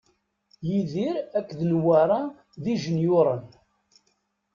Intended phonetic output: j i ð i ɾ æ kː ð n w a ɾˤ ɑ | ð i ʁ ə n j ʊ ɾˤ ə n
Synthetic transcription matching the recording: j i ð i ɾ æ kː ð n w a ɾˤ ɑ | ð i ʒ ə n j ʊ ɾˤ ə n